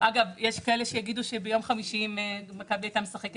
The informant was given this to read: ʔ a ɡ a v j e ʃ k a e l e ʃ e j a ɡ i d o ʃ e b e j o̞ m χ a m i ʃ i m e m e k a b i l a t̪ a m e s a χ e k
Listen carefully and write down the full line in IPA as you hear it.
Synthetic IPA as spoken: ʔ a ɡ a v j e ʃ k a e l e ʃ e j a ɡ i d u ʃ e b e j o̞ m χ a m i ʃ i m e m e k a b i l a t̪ a m e s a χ e k